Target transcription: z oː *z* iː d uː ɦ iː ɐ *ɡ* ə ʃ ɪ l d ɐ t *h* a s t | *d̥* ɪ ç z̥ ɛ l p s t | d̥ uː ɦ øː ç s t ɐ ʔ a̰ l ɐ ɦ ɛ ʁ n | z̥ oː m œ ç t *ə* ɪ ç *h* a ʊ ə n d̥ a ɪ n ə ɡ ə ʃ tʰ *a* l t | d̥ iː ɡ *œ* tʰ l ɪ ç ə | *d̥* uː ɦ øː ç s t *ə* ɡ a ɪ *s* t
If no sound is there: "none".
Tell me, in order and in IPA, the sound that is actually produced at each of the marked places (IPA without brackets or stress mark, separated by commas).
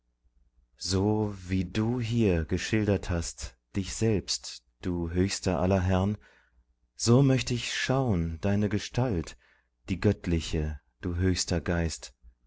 v, ɡ, h, d̥, ə, ʃ, a, œ, d̥, ɐ, s